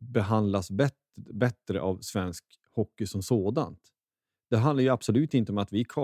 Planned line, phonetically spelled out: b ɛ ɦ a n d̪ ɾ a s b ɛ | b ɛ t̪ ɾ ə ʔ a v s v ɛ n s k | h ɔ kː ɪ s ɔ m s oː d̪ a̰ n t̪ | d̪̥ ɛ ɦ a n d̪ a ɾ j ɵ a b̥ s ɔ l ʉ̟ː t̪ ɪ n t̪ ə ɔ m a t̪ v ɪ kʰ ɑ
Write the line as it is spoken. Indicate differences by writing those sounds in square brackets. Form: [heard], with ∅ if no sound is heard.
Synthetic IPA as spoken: b ɛ ɦ a n d̪ [l] a s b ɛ | b ɛ t̪ ɾ ə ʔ a v s v ɛ n s k | h ɔ kː ɪ s ɔ m s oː d̪ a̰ n t̪ | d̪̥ ɛ ɦ a n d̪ a ɾ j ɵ a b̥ s ɔ l ʉ̟ː t̪ ɪ n t̪ ə ɔ m a t̪ v ɪ kʰ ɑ